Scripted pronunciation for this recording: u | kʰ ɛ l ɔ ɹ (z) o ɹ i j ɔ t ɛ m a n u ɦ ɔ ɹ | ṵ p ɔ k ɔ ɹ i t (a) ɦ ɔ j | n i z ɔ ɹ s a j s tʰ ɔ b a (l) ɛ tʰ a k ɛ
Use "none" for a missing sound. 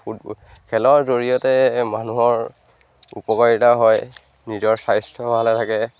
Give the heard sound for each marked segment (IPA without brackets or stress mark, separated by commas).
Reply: z, a, l